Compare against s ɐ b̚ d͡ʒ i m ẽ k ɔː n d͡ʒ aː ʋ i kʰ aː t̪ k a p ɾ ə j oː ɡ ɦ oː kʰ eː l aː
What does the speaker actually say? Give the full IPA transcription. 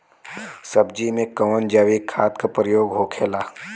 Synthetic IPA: s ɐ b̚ d͡ʒ i m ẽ k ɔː n d͡ʒ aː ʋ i kʰ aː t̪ k a p ɾ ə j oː ɡ ɦ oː kʰ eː l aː